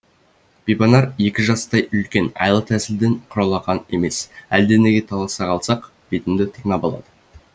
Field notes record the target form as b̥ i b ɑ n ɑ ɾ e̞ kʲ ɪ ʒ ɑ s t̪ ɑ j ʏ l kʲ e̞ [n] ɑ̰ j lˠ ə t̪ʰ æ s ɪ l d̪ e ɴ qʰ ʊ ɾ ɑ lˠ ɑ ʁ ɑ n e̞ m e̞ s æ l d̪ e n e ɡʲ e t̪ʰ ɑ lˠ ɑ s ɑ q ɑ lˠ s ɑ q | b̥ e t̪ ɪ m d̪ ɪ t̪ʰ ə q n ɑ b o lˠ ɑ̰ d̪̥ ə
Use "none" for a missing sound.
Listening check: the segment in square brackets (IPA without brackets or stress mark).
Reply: n